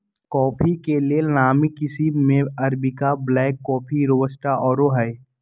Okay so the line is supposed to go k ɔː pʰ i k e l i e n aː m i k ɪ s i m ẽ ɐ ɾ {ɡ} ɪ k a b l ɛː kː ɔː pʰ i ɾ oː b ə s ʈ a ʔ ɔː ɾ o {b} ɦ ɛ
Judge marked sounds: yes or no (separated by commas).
no, no